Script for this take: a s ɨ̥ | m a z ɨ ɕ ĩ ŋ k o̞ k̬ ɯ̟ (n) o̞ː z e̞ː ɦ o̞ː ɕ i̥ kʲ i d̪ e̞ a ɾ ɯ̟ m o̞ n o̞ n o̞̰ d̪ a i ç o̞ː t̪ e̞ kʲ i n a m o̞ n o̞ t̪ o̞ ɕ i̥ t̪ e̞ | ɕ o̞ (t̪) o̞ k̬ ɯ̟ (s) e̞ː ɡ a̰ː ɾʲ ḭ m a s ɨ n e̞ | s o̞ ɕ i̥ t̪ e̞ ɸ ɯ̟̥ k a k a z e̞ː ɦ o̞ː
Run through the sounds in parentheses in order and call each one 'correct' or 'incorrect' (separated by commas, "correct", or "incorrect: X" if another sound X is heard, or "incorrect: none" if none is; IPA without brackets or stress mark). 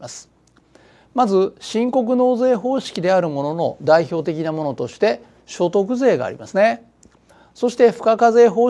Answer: correct, correct, incorrect: z